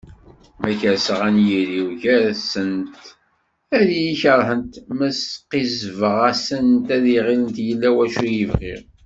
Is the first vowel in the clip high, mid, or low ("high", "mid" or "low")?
low